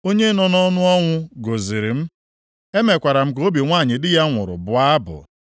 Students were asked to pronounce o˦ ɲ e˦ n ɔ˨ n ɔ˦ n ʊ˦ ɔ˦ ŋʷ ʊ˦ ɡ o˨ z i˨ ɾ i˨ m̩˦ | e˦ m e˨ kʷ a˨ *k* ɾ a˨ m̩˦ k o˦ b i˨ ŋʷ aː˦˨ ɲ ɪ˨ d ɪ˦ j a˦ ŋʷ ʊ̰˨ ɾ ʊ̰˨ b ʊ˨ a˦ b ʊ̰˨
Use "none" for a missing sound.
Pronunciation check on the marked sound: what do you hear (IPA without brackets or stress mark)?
none